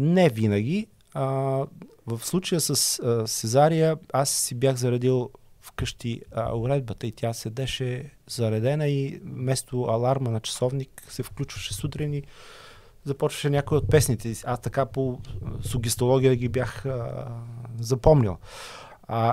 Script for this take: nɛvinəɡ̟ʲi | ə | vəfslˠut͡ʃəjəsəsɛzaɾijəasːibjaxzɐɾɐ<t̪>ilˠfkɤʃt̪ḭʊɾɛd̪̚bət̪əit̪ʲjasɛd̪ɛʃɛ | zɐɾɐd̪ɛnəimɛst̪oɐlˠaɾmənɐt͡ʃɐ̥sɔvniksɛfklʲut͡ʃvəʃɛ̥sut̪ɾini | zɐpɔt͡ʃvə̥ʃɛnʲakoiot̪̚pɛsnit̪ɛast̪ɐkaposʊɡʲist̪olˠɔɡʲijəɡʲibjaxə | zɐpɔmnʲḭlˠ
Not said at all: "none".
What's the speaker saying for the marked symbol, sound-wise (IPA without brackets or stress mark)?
d̪